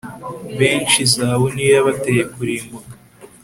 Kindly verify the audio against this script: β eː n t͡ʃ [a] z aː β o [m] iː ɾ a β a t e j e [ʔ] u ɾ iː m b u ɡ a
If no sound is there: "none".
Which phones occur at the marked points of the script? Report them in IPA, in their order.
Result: i, n, k

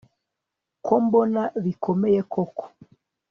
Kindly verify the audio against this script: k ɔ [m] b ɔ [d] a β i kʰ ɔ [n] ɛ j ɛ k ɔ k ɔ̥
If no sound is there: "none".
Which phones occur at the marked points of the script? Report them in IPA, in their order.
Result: m, n, m

